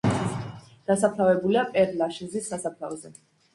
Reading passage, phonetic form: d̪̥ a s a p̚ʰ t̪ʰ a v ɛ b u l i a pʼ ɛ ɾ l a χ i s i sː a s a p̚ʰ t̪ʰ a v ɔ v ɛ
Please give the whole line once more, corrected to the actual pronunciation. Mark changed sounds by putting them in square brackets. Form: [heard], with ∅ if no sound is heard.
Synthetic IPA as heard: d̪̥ a s a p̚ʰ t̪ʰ a v ɛ b u l i a pʼ ɛ ɾ l a [ʃ] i [z] i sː a s a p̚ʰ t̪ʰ a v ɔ [z] ɛ